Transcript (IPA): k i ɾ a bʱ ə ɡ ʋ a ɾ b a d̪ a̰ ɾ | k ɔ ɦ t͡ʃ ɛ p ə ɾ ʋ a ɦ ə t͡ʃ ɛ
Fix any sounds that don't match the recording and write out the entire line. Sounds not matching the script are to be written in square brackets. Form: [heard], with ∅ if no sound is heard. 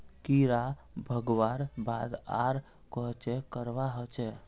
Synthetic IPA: k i ɾ a bʱ ə ɡ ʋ a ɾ b a d̪ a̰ ɾ | k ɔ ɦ t͡ʃ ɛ [k] ə ɾ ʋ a ɦ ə t͡ʃ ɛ